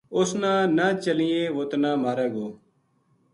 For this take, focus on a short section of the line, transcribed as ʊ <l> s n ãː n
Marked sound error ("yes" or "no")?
yes